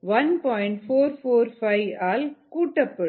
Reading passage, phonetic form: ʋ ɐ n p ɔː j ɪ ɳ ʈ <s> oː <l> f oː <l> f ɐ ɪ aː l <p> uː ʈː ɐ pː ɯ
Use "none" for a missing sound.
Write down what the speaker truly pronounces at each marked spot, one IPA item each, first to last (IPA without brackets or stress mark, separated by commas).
f, ɾ, ɾ, k